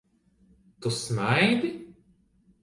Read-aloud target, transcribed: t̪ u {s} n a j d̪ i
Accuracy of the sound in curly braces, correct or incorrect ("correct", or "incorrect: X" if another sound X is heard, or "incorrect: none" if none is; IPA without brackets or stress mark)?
correct